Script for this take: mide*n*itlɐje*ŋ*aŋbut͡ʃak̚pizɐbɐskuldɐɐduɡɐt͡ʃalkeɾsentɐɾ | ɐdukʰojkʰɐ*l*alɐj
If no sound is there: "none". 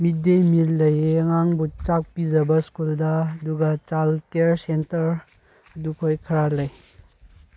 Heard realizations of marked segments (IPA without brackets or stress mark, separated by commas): m, ŋ, ɾ